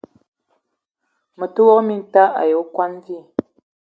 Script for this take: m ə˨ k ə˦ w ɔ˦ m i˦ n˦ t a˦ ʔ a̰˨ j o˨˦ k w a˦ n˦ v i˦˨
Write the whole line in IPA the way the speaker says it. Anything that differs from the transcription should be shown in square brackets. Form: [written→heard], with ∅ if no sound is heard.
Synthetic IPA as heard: m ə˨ [k→t] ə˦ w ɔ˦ m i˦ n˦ t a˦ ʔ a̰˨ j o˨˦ k w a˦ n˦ v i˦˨